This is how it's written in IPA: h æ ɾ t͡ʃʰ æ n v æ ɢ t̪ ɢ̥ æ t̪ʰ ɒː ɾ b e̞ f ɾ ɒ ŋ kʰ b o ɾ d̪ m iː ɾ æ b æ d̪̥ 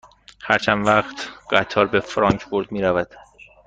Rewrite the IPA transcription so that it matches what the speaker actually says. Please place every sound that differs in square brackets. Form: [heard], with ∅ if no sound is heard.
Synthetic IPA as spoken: h æ ɾ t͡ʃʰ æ n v æ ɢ t̪ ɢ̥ æ t̪ʰ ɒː ɾ b e̞ f ɾ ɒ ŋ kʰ b o ɾ d̪ m iː ɾ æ [v] æ d̪̥